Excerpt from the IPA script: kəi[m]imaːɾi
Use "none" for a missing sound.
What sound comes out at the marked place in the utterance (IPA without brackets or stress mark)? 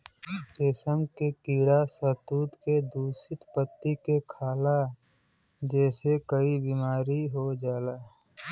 b